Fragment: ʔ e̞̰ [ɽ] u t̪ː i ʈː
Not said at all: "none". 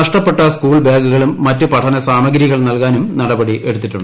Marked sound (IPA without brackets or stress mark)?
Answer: ɽ